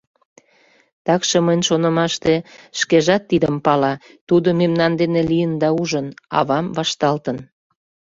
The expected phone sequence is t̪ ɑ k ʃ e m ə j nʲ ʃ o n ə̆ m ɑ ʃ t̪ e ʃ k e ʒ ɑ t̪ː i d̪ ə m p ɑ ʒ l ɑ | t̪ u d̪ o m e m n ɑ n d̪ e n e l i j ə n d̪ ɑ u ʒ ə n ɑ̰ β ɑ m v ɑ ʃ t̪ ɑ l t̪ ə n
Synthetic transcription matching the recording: t̪ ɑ k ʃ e m ə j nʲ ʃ o n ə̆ m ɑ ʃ t̪ e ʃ k e ʒ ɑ t̪ː i d̪ ə m p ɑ l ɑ | t̪ u d̪ o m e m n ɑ n d̪ e n e l i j ə n d̪ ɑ u ʒ ə n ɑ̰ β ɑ m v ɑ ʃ t̪ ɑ l t̪ ə n